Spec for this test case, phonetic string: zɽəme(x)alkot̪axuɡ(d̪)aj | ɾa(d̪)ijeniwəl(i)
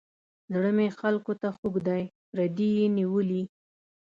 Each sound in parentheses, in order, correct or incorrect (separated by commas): correct, correct, correct, correct